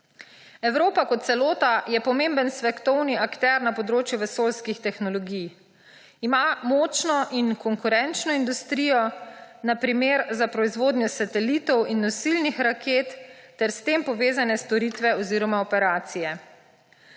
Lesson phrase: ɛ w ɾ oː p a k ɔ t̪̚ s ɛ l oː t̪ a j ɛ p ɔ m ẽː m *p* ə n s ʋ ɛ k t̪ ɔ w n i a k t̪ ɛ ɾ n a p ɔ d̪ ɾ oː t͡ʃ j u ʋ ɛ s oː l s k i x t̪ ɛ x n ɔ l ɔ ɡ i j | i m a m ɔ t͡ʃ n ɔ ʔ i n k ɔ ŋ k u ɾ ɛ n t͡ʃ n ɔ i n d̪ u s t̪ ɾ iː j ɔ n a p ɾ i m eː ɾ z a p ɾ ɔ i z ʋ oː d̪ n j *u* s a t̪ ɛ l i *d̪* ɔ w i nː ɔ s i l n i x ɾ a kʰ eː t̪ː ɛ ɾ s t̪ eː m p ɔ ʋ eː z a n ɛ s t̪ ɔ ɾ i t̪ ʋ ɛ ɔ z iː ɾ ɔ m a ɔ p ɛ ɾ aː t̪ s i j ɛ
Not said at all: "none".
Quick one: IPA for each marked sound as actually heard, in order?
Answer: b, ɔ, t̪

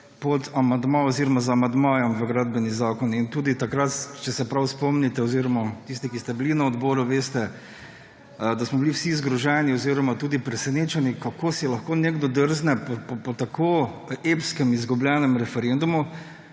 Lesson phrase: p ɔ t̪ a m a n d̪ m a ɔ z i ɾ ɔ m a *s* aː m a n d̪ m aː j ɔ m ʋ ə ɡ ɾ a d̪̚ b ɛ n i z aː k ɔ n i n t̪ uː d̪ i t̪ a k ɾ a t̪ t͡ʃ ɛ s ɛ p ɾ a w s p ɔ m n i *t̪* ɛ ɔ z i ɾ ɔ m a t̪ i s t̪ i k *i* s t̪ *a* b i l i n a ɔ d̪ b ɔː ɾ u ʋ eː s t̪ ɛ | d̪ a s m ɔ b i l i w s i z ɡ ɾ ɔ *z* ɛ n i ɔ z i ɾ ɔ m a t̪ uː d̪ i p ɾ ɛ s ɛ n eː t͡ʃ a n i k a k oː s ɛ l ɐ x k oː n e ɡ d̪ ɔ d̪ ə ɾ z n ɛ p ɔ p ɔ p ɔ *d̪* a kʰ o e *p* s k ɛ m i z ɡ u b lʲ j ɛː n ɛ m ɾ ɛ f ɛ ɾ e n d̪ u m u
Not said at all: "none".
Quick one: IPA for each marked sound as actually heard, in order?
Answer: z, t̪, i, ɛ, ʒ, t̪, p

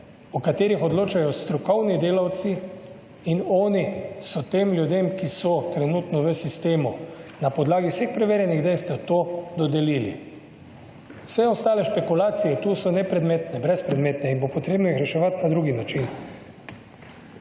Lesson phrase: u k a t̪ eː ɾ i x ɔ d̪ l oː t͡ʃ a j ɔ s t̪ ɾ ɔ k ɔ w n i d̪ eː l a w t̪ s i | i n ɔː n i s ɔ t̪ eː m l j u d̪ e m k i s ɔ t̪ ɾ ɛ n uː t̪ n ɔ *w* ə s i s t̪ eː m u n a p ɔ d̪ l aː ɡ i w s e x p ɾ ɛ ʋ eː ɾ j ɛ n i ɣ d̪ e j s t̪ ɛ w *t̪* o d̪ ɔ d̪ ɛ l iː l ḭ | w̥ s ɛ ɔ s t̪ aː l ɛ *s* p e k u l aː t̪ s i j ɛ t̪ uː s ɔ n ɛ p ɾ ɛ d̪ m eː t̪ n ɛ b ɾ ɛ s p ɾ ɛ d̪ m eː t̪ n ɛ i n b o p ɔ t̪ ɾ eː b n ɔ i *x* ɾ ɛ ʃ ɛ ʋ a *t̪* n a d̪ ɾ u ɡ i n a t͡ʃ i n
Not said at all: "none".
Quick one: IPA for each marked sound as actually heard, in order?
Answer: ʋ, t̪, ʃ, x, t̪

